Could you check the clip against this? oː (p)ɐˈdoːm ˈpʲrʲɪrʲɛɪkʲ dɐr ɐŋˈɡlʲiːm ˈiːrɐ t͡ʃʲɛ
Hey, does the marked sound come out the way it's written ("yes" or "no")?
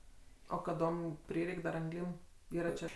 no